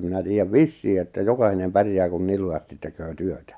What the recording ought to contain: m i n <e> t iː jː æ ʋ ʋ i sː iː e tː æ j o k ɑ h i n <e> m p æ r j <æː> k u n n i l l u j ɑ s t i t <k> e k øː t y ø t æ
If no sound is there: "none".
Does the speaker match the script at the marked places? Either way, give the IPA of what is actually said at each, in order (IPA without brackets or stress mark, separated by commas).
æ, e, æː, t